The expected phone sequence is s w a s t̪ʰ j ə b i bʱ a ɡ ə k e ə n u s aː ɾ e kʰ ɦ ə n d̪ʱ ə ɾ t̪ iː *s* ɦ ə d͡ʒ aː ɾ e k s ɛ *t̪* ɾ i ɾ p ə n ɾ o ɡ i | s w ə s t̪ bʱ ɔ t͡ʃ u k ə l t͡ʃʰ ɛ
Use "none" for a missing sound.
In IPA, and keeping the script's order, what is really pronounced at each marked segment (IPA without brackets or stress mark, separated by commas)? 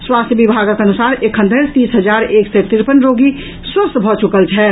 s, t̪